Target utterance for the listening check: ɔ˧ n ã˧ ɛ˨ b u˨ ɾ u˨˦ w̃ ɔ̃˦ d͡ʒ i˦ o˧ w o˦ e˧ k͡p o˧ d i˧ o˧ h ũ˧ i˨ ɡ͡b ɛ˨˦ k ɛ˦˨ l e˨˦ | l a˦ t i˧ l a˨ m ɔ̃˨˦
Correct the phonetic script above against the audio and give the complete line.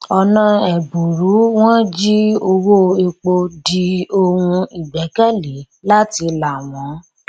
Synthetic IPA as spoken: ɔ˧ n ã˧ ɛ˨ b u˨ ɾ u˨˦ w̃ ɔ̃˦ d͡ʒ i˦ o˧ w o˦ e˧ k͡p o˧ d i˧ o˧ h ũ˧ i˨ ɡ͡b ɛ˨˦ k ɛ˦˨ l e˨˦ | l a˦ t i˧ l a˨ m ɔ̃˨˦